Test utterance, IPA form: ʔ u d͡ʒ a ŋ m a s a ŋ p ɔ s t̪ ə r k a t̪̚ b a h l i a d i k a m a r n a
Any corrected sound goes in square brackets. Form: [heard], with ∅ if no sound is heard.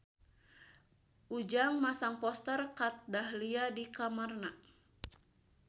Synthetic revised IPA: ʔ u d͡ʒ a ŋ m a s a ŋ p ɔ s t̪ ə r k a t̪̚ [d] a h l i a d i k a m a r n a